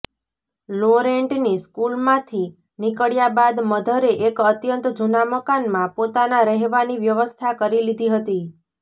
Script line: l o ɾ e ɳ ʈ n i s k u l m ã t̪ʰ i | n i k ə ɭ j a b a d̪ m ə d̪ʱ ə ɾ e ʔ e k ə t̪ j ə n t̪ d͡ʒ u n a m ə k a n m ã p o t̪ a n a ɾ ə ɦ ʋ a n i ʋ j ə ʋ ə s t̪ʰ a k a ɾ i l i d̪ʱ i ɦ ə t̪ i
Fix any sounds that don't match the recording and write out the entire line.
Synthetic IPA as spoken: l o ɾ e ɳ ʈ n i s k u l m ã t̪ʰ i | n i k ə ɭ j a b a d̪ m ə d̪ʱ ə ɾ e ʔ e k ə t̪ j ə n t̪ d͡ʒ u n a m ə k a n m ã p o t̪ a n a ɾ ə ɦ ʋ a n i ʋ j ə ʋ ə s t̪ʰ a k ə ɾ i l i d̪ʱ i ɦ ə t̪ i